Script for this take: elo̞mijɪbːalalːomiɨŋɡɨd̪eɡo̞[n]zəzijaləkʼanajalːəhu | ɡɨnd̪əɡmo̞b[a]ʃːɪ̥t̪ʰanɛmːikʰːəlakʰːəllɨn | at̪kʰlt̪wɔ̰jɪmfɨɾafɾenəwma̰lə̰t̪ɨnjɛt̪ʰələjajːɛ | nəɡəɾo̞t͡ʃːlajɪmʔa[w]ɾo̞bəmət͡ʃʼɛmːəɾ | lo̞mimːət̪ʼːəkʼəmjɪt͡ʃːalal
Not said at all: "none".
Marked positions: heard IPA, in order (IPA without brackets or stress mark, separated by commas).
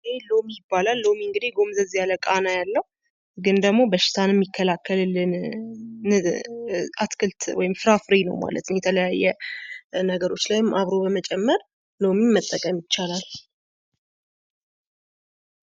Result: m, ə, β